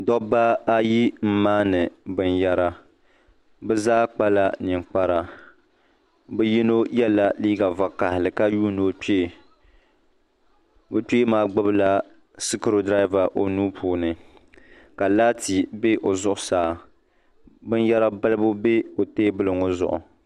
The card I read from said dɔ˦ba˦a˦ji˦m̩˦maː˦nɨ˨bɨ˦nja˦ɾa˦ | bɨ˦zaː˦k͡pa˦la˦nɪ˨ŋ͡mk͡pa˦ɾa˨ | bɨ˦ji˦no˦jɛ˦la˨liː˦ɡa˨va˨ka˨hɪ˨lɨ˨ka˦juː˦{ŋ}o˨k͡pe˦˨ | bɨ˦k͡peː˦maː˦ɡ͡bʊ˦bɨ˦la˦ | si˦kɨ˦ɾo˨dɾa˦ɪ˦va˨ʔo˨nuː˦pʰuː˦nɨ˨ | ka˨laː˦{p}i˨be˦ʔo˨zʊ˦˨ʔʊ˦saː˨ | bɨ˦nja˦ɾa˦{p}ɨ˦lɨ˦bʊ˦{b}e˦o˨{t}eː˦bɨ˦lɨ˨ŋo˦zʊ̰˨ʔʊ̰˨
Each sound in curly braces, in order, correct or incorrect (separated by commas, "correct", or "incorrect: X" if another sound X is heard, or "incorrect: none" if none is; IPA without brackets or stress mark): incorrect: n, incorrect: t, incorrect: b, correct, correct